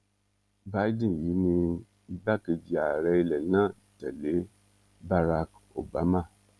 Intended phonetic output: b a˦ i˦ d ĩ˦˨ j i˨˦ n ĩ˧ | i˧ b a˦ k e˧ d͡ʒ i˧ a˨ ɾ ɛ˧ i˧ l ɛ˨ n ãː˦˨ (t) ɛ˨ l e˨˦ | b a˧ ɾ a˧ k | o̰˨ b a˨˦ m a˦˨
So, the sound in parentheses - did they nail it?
yes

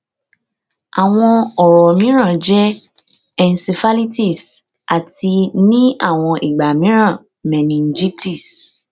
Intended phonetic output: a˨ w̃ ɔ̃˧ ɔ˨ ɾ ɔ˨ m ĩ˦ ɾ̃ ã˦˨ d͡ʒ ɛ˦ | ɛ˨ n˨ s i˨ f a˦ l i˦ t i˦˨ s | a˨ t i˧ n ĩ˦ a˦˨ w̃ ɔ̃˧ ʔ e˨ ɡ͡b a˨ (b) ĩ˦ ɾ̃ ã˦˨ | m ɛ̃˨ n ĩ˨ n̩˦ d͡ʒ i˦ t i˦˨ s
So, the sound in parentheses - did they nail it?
no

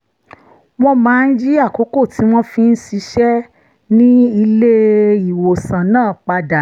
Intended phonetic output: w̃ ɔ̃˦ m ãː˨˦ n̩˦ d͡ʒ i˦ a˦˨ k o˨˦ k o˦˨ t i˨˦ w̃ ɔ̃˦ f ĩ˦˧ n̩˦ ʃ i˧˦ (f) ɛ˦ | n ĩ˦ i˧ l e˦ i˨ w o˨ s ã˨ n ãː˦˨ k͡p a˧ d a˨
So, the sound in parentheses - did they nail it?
no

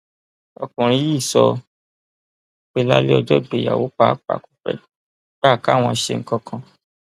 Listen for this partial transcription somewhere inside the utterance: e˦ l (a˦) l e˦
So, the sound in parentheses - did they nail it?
yes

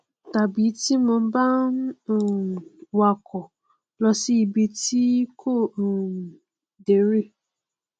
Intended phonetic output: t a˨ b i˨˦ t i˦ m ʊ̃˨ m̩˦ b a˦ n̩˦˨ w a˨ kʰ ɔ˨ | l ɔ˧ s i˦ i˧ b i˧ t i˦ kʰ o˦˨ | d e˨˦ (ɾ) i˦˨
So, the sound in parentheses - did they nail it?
yes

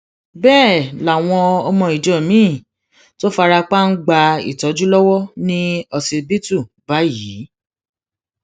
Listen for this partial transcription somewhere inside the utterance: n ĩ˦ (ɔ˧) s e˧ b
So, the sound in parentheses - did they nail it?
yes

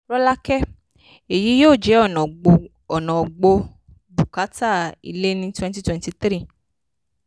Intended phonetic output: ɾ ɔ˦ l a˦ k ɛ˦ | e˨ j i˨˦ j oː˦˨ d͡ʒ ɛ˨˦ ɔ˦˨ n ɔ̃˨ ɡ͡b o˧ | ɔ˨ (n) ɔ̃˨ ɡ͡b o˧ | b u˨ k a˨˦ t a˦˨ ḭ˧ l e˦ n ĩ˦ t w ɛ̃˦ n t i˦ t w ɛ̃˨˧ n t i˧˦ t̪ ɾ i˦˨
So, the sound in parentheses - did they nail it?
yes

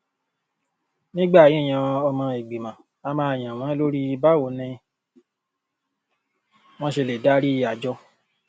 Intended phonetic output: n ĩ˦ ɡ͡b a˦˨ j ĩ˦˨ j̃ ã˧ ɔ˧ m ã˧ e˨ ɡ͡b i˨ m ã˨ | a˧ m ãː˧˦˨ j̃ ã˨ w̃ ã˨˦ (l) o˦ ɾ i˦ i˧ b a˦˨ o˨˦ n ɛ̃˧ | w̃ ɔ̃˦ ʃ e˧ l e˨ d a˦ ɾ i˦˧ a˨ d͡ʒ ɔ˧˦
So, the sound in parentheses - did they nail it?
yes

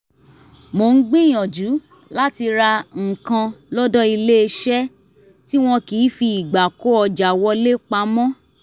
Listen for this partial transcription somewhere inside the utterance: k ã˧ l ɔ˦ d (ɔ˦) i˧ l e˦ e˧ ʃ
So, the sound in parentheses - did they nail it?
yes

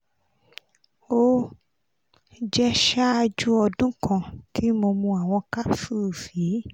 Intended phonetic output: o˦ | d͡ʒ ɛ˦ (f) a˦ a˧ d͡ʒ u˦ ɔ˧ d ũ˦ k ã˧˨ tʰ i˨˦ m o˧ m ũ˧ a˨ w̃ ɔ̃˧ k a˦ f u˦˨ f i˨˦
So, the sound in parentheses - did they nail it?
no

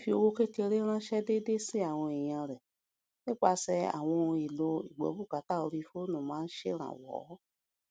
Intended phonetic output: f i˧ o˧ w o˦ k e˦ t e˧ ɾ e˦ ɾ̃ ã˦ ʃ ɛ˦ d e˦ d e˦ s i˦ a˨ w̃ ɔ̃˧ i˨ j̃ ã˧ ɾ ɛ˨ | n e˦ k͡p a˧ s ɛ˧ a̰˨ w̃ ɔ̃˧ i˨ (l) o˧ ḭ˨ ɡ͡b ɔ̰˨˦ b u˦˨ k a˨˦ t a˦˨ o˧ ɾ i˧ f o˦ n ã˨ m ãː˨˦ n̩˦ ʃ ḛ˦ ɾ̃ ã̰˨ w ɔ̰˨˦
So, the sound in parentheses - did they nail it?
yes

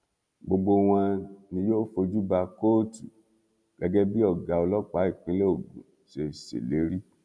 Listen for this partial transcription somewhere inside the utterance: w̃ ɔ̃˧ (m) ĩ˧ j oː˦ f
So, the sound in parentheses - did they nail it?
no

